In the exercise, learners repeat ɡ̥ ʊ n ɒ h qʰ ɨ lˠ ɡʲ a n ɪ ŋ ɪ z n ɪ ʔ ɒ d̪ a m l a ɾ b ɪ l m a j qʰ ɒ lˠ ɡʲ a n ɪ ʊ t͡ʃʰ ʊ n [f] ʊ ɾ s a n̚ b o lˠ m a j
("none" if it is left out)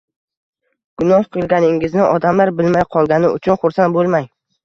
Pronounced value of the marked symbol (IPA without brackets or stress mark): χ